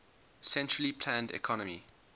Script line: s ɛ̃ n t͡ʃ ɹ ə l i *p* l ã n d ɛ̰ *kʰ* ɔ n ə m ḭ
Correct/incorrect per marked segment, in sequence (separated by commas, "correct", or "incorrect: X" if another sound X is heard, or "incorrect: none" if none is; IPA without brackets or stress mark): incorrect: pʰ, correct